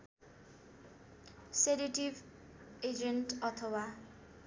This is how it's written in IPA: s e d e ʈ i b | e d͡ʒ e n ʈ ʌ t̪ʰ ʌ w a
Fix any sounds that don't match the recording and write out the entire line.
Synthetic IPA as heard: s e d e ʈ i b | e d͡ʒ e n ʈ ʌ t̪ʰ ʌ w a